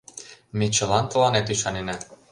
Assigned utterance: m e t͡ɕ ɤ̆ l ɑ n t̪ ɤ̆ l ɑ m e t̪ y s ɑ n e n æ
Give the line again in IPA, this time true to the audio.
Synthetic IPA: m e t͡ɕ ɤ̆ l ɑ n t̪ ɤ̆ l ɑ n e t̪ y ʃ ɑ n e n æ

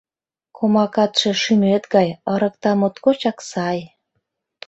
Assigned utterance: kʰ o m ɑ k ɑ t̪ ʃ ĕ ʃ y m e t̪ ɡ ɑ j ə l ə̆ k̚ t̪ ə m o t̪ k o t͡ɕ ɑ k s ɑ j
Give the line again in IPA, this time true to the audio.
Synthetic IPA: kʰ o m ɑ k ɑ t̪ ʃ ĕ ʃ y m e t̪ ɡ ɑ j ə ɾ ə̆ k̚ t̪ ɑ m o t̪ k o t͡ɕ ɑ k s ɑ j

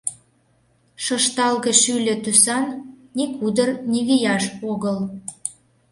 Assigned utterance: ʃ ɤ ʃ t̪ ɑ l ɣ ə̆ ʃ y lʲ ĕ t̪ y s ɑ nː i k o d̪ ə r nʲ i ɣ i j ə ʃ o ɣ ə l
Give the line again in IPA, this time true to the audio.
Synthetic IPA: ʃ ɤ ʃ t̪ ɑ l ɣ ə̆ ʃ y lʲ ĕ t̪ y s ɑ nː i k u d̪ ə r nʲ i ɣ i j ɑ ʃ o ɣ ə l

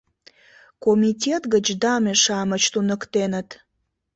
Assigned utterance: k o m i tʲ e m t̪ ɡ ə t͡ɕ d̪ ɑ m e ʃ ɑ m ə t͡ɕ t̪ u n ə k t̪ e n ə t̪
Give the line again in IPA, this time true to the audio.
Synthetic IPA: k o m i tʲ e t̪ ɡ ə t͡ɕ d̪ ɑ m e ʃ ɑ m ə t͡ɕ t̪ u n ə k t̪ e n ə t̪

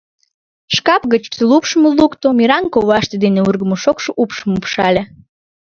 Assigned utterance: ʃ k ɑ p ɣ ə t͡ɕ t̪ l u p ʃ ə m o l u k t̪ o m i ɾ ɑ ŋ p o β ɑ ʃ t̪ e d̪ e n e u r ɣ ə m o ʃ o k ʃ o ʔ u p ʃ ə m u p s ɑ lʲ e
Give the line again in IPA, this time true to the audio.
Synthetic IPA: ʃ k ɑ p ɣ ə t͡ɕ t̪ l u p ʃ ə m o l u k t̪ o m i ɾ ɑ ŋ k o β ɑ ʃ t̪ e d̪ e n e u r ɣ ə m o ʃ o k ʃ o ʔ u p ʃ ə m u p ʃ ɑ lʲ e

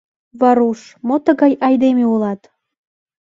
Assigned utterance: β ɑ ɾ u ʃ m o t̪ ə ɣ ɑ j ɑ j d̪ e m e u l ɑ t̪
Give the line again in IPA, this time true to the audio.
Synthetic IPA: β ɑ ɾ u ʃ m o t̪ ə ɣ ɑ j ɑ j d̪ e m e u l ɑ t̪

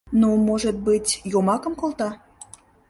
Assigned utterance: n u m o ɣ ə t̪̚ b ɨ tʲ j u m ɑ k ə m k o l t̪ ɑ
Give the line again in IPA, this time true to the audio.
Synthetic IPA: n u m o ʒ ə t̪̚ b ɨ tʲ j o m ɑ k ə m k o l t̪ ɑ

